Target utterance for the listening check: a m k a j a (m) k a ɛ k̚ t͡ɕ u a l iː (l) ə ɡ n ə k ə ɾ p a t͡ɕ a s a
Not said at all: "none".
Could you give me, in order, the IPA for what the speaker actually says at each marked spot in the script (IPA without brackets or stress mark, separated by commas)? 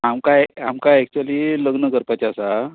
m, l